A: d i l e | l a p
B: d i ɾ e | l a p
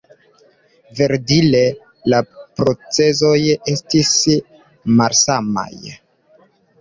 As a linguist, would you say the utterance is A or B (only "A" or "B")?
A